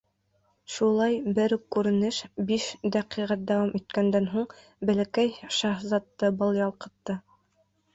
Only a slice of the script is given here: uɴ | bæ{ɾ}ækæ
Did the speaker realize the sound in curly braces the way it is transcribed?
no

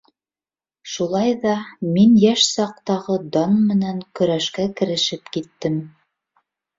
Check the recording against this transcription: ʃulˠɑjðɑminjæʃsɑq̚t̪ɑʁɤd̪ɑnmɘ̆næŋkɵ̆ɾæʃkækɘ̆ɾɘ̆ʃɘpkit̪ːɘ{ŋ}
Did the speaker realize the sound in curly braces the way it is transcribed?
no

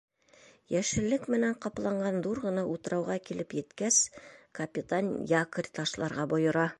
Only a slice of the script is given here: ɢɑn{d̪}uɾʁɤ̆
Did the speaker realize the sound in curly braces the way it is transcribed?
yes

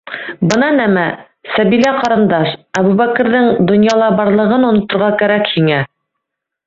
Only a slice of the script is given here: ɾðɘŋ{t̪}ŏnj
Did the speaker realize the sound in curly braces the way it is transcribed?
no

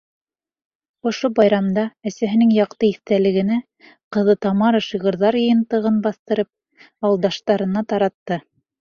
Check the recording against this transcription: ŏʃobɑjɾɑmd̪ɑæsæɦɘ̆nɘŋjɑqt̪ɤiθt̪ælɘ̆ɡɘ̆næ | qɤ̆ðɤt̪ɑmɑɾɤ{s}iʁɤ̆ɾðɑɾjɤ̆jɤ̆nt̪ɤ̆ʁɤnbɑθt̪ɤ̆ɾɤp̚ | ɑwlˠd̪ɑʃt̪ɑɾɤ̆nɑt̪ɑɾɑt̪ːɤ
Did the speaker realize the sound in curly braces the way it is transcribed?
no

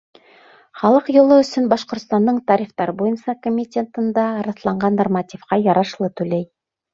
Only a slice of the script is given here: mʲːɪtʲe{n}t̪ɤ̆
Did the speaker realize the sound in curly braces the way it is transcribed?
yes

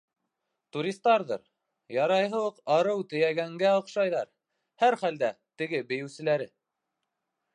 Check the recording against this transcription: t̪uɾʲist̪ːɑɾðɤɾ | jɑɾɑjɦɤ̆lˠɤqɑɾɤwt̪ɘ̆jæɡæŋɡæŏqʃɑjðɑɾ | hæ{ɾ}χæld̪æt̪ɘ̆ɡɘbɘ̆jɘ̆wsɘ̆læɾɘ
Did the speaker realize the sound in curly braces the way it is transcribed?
yes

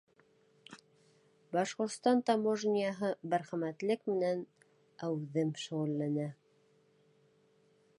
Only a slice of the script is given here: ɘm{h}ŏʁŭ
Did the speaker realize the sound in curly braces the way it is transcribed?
no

